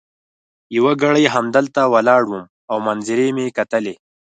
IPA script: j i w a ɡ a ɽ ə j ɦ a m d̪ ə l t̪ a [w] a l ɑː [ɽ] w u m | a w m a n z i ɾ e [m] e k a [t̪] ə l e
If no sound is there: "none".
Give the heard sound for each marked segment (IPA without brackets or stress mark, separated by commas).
w, ɽ, m, t̪